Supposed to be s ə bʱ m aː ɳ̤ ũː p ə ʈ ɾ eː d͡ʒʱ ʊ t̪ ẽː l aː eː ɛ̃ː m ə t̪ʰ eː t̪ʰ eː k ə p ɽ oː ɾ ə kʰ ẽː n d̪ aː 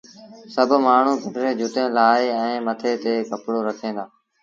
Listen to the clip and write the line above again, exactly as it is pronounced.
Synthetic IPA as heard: s ə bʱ m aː ɳ̤ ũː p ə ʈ ɾ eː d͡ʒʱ ʊ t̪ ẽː l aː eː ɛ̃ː m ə t̪ʰ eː t̪ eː k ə p ɽ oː ɾ ə kʰ ẽː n d̪ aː